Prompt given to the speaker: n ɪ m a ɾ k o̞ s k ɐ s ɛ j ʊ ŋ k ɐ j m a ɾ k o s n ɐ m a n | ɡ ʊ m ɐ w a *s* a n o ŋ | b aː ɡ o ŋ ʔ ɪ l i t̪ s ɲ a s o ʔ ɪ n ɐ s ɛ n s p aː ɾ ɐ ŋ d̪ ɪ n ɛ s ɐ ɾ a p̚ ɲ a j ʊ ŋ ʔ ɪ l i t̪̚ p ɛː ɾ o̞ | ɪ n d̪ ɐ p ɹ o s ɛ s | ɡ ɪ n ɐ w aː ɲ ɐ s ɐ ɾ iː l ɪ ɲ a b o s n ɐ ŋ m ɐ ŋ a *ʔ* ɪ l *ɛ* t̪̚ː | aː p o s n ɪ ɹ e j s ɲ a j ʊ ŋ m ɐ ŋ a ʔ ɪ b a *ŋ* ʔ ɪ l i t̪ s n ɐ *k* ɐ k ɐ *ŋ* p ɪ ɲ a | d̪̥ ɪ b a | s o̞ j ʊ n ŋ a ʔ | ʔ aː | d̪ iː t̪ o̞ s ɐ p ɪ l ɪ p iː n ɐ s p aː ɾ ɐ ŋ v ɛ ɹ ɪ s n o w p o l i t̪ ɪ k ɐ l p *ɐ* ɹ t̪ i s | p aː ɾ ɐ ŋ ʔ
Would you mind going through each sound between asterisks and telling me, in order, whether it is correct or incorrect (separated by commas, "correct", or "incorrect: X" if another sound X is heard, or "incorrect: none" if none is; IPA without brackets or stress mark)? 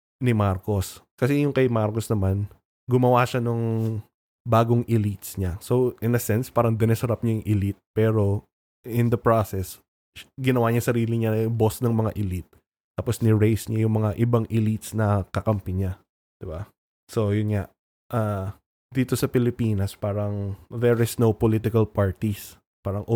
incorrect: ʃ, correct, incorrect: i, correct, correct, incorrect: m, incorrect: a